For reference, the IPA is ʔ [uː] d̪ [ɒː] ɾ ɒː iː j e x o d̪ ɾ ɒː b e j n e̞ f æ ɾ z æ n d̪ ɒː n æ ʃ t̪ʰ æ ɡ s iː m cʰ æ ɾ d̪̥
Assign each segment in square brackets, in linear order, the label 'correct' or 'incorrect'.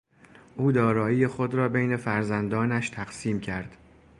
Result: correct, correct

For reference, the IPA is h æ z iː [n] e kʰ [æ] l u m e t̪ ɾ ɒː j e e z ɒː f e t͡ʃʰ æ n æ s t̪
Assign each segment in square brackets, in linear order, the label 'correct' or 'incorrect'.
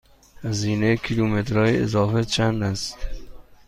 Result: correct, incorrect

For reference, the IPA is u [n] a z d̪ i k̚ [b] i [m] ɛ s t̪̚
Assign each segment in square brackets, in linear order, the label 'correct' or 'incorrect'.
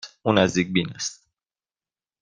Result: correct, correct, incorrect

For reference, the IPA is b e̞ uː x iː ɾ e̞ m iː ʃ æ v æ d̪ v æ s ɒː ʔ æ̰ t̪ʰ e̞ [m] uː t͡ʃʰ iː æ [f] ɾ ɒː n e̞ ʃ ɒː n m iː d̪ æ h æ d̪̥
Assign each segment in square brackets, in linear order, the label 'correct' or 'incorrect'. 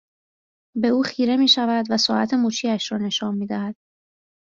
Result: correct, incorrect

